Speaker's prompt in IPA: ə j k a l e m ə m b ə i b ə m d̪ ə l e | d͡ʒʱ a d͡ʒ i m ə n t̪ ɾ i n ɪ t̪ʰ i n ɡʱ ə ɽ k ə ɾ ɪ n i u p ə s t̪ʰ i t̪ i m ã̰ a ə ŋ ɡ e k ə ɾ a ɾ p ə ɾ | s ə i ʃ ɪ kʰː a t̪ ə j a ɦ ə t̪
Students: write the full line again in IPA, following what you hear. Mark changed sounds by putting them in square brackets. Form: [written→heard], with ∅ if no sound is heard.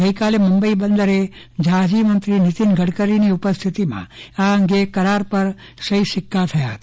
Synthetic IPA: ə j k a l e m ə m b ə i b ə [m→n] d̪ ə [l→ɾ] e | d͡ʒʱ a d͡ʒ i m ə n t̪ ɾ i n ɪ [t̪ʰ→t̪] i n ɡʱ ə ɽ k ə ɾ [ɪ→i] n i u p ə s t̪ʰ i t̪ i m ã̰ a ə ŋ ɡ e k ə ɾ a ɾ p ə ɾ | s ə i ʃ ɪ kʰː a [t̪→t̪ʰ] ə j a ɦ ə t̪

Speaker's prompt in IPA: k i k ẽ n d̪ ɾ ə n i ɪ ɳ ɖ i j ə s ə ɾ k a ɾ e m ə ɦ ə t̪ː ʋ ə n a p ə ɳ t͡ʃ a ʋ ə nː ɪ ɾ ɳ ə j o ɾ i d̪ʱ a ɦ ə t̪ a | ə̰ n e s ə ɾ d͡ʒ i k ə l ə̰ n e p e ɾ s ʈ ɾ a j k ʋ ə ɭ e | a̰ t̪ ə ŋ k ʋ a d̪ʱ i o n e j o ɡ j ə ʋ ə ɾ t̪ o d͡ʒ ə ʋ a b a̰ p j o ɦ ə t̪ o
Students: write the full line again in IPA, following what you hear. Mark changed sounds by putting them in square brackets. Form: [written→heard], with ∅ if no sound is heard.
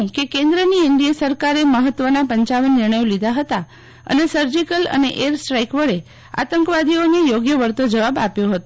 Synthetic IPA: k [i→e] k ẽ n d̪ ɾ ə n i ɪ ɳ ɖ i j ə s ə ɾ k a ɾ e m ə ɦ ə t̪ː ʋ ə n a p ə [ɳ→ɲ] t͡ʃ a ʋ ə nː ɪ ɾ ɳ ə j o [ɾ→l] i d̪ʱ a ɦ ə t̪ a | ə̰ n e s ə ɾ d͡ʒ i k ə l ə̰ n e [p→ʔ] e ɾ s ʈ ɾ a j k ʋ ə ɭ e | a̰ t̪ ə ŋ k ʋ a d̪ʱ i o n e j o ɡ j ə ʋ ə ɾ t̪ o d͡ʒ ə ʋ a b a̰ p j o ɦ ə t̪ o

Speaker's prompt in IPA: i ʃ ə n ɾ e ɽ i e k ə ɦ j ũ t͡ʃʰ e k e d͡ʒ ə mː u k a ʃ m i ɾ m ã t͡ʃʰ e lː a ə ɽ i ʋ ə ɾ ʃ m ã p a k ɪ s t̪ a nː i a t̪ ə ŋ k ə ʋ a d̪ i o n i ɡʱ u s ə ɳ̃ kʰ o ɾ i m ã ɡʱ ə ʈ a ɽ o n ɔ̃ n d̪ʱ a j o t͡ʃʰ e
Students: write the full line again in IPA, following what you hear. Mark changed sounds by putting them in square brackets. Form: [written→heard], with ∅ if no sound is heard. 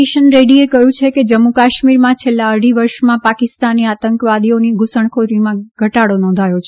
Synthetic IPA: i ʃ ə n ɾ e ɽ i e k ə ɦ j ũ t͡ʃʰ e k e d͡ʒ ə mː u k a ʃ m i ɾ m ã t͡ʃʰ e lː a ə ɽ i ʋ ə ɾ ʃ m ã p a k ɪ s t̪ a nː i a t̪ ə ŋ k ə ʋ a d̪ i o n i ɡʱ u s ə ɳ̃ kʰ o ɾ i m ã ɡʱ ə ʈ a ɽ o n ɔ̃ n d̪ʱ a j o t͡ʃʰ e

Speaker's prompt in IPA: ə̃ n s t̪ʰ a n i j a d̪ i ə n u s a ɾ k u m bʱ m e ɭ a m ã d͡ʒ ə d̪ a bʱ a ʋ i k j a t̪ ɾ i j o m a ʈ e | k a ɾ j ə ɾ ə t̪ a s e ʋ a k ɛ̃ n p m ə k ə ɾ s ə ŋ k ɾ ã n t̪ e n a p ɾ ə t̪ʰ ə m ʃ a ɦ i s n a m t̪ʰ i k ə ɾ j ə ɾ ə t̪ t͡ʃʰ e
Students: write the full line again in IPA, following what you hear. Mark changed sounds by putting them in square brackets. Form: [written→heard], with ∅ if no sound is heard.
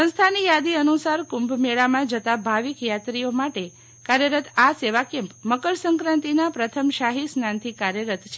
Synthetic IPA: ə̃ n s t̪ʰ a n i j a d̪ i ə n u s a ɾ k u m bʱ m e ɭ a m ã d͡ʒ ə [d̪→t̪] a bʱ a ʋ i k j a t̪ ɾ i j o m a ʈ e | k a ɾ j ə ɾ ə t̪ a s e ʋ a k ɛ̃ [n→m] p m ə k ə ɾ s ə ŋ k ɾ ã n t̪ [e→i] n a p ɾ ə t̪ʰ ə m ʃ a ɦ i s n a [m→n] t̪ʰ i k [ə→a] ɾ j ə ɾ ə t̪ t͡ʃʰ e

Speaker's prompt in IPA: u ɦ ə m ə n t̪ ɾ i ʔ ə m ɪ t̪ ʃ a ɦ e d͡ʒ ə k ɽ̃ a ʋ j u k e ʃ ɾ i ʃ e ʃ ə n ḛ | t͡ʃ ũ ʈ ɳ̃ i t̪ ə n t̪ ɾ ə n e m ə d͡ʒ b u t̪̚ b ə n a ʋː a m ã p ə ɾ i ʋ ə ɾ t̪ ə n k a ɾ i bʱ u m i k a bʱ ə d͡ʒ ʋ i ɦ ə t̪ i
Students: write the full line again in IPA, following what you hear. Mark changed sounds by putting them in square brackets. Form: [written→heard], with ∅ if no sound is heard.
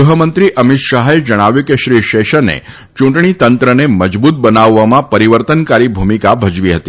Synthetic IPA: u ɦ ə m ə n t̪ ɾ i ʔ ə m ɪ t̪ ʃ a ɦ e d͡ʒ ə [k→∅] ɽ̃ a ʋ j u k e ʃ ɾ i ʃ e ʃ ə n ḛ | t͡ʃ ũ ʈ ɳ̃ i t̪ ə n t̪ ɾ ə n e m ə d͡ʒ b u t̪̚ b ə n a ʋː a m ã p ə ɾ i ʋ ə ɾ t̪ ə n k a ɾ i bʱ u m i k a bʱ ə d͡ʒ ʋ i ɦ ə t̪ i

